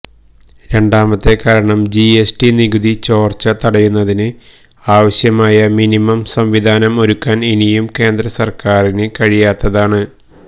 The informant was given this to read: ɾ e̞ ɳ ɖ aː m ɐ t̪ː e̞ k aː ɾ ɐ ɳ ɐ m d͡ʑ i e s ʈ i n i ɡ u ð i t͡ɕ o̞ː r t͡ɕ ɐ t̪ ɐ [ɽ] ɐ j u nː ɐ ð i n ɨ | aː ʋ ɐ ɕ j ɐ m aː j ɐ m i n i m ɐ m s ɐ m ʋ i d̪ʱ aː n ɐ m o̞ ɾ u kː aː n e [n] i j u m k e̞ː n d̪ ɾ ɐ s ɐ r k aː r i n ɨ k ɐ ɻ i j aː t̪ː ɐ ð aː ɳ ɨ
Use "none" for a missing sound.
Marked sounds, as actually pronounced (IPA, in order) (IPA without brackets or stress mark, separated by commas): ɽ, n